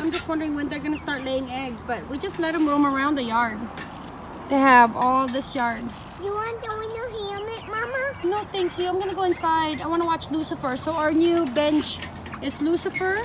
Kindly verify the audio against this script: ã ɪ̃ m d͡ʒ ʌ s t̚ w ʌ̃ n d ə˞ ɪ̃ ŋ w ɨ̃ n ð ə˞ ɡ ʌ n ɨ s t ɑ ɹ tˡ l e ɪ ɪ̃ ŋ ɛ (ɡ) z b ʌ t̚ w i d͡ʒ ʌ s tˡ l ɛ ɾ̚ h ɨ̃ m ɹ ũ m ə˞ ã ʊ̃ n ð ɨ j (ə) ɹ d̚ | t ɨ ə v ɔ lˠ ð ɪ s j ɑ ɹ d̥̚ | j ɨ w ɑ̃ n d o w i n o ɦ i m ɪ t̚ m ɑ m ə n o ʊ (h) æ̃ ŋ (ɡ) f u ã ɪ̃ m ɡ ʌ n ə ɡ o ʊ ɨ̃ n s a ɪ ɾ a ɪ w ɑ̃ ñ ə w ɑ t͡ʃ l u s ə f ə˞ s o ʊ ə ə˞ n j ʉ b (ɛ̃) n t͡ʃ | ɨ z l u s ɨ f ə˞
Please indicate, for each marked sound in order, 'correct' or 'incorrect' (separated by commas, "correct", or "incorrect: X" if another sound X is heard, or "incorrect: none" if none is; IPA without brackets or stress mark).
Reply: correct, incorrect: ɑ, incorrect: θ, incorrect: k, correct